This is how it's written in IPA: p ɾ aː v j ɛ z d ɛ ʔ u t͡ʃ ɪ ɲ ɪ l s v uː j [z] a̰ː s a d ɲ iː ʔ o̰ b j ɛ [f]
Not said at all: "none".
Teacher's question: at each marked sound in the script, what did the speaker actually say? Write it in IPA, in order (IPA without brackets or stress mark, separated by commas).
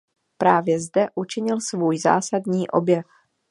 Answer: z, f